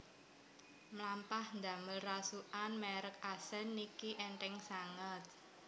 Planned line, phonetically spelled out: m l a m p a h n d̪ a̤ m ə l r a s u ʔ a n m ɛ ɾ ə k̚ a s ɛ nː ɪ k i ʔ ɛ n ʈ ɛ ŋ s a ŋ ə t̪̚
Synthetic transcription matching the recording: m l a m p a h n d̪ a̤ m ə l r a s u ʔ a n m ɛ ɾ ə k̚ a s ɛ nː i k i ʔ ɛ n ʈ ɛ ŋ s a ŋ ə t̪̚